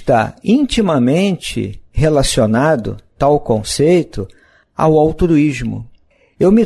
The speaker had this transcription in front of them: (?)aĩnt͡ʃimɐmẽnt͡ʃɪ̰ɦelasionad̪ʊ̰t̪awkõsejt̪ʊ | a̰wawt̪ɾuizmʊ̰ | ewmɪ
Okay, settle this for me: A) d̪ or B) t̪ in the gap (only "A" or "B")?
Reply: B